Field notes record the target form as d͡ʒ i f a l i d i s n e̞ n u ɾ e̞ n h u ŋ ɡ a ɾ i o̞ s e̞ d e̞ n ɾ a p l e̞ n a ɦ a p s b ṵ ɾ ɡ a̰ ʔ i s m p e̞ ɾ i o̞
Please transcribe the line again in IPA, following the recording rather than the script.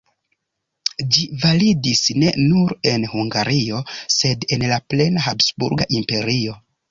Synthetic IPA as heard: d͡ʒ i v a l i d i s n e̞ n u ɾ e̞ n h u ŋ ɡ a ɾ i o̞ s e̞ d e̞ n l a p l e̞ n a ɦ a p s b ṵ ɾ ɡ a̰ ʔ i m p e̞ ɾ i o̞